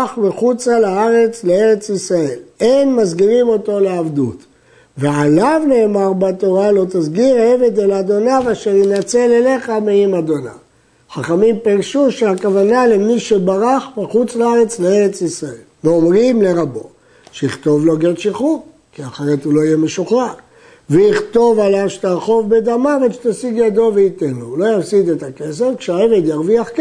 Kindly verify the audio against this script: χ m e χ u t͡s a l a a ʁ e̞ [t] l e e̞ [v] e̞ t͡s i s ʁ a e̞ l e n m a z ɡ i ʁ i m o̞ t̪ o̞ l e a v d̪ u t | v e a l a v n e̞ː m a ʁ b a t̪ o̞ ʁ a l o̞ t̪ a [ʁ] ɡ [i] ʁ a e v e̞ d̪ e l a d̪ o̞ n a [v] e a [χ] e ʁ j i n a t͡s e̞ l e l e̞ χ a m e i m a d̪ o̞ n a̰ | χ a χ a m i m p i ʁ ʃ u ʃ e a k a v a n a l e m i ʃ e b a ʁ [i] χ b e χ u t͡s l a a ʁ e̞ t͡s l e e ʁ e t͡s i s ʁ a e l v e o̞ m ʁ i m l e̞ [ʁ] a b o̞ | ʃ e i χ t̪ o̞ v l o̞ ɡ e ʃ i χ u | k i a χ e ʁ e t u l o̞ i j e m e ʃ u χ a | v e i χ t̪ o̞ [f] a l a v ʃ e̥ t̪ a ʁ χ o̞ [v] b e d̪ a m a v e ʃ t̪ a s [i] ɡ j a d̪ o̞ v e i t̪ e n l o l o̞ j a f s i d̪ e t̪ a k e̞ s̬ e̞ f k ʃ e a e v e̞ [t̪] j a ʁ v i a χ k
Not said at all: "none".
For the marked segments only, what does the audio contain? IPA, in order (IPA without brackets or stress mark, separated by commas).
t͡s, ʁ, z, i, v, ʃ, a, ʁ, v, v, i, d̪